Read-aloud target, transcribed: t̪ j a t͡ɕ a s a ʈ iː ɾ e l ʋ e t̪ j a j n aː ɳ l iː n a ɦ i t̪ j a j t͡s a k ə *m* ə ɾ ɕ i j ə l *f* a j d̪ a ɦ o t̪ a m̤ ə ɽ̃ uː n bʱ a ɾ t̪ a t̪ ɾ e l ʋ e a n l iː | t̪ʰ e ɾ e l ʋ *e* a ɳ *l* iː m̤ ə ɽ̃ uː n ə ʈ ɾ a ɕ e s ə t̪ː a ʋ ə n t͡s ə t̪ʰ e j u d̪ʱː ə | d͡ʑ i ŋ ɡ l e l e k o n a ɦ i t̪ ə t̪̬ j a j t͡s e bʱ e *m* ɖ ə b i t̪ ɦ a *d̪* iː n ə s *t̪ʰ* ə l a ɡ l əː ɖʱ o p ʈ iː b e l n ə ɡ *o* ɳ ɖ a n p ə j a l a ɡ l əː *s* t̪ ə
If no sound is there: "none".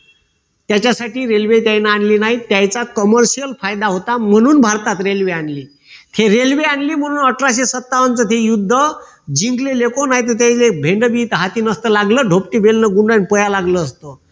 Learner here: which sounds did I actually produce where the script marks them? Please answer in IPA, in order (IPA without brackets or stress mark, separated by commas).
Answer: m, f, e, l, ɳ, t̪, t̪, u, s